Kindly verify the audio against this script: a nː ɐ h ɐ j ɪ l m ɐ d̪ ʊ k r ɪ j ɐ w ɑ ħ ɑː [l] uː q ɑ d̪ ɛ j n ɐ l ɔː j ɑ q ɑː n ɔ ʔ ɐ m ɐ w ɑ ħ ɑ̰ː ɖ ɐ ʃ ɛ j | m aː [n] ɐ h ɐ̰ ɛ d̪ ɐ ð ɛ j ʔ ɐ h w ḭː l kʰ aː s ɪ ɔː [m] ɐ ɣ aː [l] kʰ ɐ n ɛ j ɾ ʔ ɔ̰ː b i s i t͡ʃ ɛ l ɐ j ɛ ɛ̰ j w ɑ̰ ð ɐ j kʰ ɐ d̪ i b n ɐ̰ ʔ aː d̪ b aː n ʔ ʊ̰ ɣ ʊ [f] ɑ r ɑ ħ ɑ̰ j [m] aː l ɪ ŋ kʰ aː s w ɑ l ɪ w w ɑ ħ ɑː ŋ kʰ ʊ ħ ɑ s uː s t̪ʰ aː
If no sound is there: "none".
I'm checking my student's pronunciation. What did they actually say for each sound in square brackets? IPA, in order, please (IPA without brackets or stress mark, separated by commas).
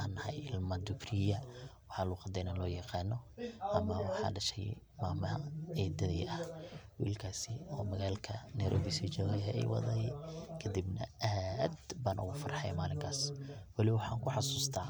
l, m, m, l, f, m